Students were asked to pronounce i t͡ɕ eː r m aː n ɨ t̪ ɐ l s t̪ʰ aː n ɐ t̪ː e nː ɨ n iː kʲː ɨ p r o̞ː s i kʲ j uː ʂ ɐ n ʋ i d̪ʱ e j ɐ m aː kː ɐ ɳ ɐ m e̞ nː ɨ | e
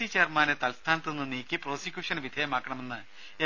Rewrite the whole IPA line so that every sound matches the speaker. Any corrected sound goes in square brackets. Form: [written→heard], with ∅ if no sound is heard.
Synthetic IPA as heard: i t͡ɕ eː r m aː n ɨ t̪ ɐ l s t̪ʰ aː n ɐ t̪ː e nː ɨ n iː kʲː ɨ p r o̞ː s i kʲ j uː ʂ ɐ n ʋ i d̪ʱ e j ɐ m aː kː ɐ ɳ ɐ m e̞ nː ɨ | e